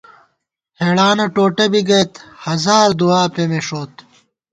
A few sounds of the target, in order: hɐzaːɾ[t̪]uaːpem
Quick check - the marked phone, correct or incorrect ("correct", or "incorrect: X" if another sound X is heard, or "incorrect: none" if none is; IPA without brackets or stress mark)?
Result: incorrect: d̪